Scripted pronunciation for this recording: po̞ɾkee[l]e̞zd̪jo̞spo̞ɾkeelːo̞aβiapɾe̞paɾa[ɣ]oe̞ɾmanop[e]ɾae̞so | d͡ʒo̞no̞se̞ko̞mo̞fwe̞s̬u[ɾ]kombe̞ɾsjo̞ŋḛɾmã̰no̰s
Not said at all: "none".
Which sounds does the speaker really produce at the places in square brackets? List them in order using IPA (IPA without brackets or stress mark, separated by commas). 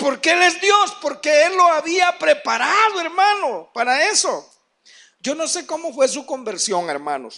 l, ð, a, none